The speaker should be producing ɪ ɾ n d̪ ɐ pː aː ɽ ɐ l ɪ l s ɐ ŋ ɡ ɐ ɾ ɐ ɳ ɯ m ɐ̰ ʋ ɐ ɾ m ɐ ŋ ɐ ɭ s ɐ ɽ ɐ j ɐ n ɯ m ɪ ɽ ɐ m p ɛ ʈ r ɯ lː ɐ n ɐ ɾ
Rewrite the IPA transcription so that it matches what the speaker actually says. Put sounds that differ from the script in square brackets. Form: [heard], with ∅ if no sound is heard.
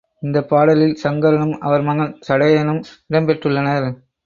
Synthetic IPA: ɪ [∅] n d̪ ɐ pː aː ɽ ɐ l ɪ l s ɐ ŋ ɡ ɐ ɾ ɐ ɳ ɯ m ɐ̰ ʋ ɐ ɾ m ɐ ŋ ɐ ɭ s ɐ ɽ ɐ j ɐ n ɯ m ɪ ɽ ɐ m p ɛ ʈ r ɯ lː ɐ n ɐ ɾ